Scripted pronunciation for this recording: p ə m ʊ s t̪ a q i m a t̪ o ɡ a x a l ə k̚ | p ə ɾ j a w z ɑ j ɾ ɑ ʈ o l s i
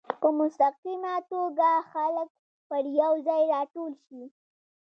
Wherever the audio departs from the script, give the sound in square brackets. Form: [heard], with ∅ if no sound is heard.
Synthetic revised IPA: p ə m ʊ s t̪ a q i m a t̪ o ɡ a x a l ə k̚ | p ə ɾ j a w z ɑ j ɾ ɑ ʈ o l [ʃ] i

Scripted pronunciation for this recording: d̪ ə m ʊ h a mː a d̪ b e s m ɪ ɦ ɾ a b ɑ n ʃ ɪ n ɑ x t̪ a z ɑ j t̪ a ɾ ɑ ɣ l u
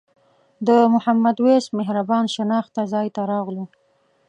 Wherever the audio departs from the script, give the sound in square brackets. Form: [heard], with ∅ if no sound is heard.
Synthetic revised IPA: d̪ ə m ʊ h a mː a d̪ [w] e s m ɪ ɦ ɾ a b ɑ n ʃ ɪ n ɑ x t̪ a z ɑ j t̪ a ɾ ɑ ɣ l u

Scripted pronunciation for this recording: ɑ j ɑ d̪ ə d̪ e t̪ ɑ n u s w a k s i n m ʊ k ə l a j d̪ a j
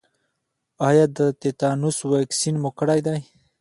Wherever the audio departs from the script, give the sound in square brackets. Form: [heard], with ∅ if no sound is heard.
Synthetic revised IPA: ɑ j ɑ d̪ ə [t̪] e t̪ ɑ n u s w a k s i n m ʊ k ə [ɽ] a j d̪ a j

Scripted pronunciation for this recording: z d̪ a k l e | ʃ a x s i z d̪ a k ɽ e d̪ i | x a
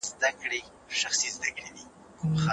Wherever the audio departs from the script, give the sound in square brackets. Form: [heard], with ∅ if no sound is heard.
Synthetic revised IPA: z d̪ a k [ɽ] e | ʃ a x s i z d̪ a k ɽ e d̪ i | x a

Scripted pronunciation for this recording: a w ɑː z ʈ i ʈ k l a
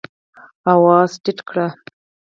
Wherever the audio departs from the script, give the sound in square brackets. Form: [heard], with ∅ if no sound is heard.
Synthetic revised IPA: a w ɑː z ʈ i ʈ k [ɽ] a

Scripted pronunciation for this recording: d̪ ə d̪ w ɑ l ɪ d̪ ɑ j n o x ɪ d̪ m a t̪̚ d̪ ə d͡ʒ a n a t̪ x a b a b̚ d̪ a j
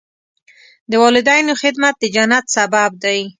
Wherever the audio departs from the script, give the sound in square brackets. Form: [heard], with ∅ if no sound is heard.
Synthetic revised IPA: d̪ ə [∅] w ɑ l ɪ d̪ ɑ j n o x ɪ d̪ m a t̪̚ d̪ ə d͡ʒ a n a t̪ [s] a b a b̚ d̪ a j

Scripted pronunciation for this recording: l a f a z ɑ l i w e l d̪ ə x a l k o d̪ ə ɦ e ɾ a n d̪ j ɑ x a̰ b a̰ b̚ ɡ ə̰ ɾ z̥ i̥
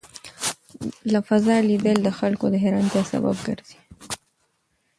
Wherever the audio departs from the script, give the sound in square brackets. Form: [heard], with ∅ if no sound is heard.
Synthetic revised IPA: l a f a z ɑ l i [b] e l d̪ ə x a l k o d̪ ə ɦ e ɾ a n [t̪] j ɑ [s] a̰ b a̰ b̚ ɡ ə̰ ɾ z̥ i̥

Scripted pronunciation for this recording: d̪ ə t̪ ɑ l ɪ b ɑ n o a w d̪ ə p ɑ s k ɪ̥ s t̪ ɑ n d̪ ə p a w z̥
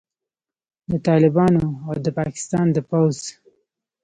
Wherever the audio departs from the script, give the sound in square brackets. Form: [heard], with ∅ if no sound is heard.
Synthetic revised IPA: d̪ ə t̪ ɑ l ɪ b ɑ n o a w d̪ ə p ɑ [∅] k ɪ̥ s t̪ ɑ n d̪ ə p a w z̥

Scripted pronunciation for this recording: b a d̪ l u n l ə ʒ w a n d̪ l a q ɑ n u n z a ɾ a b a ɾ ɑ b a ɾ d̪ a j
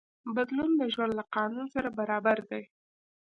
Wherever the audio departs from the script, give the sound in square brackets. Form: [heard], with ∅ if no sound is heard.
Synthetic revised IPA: b a d̪ l u n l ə ʒ w a n d̪ l a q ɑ n u n [s] a ɾ a b a ɾ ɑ b a ɾ d̪ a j

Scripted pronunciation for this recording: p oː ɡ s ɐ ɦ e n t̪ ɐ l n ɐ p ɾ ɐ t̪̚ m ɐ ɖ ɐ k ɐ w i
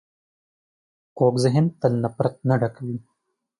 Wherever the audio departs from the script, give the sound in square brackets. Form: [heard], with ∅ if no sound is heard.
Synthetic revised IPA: [k] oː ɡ [z] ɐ ɦ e n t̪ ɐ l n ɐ p ɾ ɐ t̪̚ [n] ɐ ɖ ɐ k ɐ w i

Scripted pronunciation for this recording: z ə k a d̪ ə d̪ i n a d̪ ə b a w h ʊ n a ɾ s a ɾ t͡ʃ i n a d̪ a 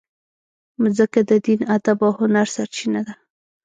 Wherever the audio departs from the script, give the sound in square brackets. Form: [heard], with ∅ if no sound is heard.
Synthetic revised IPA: z ə k a d̪ ə d̪ i n a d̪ [a] b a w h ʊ n a ɾ s a ɾ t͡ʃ i n a d̪ a

